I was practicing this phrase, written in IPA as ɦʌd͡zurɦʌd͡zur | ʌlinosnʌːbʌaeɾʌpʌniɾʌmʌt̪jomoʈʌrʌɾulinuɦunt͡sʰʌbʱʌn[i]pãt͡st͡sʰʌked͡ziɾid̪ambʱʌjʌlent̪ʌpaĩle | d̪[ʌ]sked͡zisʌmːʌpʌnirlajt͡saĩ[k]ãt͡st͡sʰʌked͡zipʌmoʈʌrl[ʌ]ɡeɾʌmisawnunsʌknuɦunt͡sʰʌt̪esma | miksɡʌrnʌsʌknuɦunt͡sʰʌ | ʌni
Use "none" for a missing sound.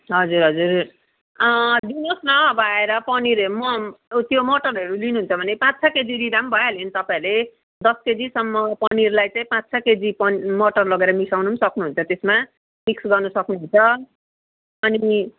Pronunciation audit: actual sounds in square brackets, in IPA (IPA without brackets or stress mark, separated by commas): e, ʌ, p, ʌ